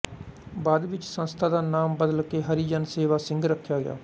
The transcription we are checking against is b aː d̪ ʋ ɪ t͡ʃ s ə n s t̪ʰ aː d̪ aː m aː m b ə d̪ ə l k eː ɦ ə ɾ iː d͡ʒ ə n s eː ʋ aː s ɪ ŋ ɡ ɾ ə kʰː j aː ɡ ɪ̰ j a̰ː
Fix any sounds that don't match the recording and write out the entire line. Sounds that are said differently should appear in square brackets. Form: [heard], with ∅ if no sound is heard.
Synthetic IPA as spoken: b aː d̪ ʋ ɪ t͡ʃ s ə n s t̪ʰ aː d̪ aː [n] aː m b ə d̪ ə l k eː ɦ ə ɾ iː d͡ʒ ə n s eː ʋ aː s ɪ ŋ ɡ ɾ ə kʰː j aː ɡ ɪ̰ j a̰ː

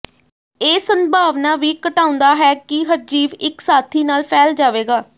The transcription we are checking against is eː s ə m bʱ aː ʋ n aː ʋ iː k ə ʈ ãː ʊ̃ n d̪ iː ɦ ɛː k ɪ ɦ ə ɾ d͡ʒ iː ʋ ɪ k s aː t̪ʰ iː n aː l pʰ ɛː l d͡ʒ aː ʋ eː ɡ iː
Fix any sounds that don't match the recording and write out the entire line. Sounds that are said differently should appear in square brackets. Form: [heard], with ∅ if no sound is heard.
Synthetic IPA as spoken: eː s ə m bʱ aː ʋ n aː ʋ iː k ə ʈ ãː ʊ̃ n d̪ [aː] ɦ ɛː k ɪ ɦ ə ɾ d͡ʒ iː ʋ ɪ k s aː t̪ʰ iː n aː l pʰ ɛː l d͡ʒ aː ʋ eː ɡ [aː]

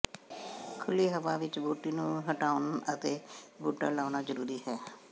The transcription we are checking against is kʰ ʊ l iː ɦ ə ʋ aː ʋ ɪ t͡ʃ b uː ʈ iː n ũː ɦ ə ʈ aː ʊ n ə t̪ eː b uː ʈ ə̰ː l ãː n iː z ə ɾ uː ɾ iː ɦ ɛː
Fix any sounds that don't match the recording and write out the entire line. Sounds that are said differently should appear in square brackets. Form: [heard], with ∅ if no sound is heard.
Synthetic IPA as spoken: kʰ ʊ l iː ɦ ə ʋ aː ʋ ɪ t͡ʃ b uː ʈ iː n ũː ɦ ə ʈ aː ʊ n ə t̪ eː b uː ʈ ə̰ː l [aː] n [aː] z ə ɾ uː ɾ iː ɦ ɛː

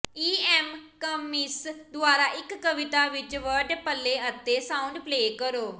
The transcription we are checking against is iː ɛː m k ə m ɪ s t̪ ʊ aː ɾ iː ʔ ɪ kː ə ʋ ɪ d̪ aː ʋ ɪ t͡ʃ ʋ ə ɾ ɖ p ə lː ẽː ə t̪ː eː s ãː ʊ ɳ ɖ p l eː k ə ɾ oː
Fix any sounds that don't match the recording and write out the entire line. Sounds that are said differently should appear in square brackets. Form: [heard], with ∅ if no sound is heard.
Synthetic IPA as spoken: iː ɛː m k ə m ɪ s [d̪] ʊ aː ɾ [aː] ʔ ɪ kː ə ʋ ɪ [t̪] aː ʋ ɪ t͡ʃ ʋ ə ɾ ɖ p ə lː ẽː ə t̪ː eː s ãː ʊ ɳ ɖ p l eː k ə ɾ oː

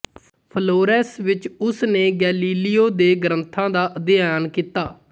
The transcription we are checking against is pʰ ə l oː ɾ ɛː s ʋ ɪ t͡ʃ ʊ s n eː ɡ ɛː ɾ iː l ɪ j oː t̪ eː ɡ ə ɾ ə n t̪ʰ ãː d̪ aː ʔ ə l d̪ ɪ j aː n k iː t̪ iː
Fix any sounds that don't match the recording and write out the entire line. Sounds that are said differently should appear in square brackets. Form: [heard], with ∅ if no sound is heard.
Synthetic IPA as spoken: pʰ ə l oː ɾ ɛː s ʋ ɪ t͡ʃ ʊ s n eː ɡ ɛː [l] iː l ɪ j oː [d̪] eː ɡ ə ɾ ə n t̪ʰ ãː d̪ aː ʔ ə [∅] d̪ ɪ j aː n k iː t̪ [aː]

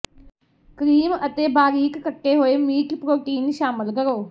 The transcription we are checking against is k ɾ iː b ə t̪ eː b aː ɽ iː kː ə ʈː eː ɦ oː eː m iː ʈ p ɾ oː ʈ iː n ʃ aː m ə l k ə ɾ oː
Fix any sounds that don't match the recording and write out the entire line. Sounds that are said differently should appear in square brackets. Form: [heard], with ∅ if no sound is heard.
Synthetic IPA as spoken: k ɾ iː [m] ə t̪ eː b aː [ɾ] iː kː ə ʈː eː ɦ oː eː m iː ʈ p ɾ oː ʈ iː n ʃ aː m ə l k ə ɾ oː

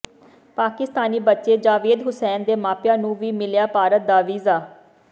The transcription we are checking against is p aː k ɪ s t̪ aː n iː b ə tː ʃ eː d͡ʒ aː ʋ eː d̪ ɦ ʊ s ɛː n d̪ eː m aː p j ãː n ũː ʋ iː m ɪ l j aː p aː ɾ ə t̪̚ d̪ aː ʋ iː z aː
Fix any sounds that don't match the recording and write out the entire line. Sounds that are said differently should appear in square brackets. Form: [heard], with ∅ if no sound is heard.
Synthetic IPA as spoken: p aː k ɪ s t̪ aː n iː b ə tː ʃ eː d͡ʒ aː ʋ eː d̪ ɦ ʊ s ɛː n d̪ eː m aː p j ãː n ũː ʋ iː m ɪ l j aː p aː ɾ ə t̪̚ d̪ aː ʋ iː z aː

